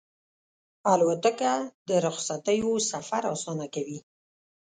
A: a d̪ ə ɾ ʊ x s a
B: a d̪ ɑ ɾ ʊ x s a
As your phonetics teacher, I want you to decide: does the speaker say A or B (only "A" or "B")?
A